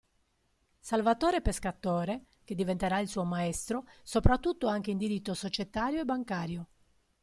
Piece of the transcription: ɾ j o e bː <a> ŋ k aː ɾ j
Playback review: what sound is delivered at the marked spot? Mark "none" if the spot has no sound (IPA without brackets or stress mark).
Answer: a